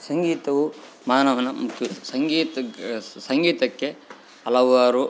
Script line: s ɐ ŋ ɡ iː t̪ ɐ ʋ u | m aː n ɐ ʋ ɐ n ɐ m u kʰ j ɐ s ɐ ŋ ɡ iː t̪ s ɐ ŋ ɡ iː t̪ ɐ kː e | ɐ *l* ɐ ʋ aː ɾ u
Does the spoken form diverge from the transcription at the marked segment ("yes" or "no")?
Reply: no